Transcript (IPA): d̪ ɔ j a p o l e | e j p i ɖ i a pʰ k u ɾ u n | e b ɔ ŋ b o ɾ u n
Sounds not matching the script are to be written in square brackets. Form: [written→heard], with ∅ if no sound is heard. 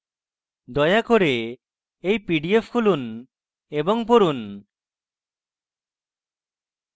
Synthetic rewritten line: d̪ ɔ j a [p→k] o [l→ɾ] e | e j p i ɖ i [a→e] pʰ k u [ɾ→l] u n | e b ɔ ŋ [b→p] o ɾ u n